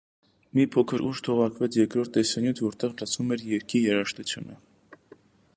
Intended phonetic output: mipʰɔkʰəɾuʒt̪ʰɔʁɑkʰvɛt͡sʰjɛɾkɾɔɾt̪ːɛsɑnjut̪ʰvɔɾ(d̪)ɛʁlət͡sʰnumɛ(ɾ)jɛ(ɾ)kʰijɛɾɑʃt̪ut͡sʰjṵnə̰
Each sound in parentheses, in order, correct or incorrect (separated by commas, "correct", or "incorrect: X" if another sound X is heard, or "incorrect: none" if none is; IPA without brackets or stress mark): incorrect: t̪, correct, correct